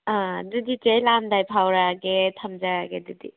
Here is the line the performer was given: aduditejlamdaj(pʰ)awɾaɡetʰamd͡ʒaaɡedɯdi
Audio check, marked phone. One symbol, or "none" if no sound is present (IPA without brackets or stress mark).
pʰ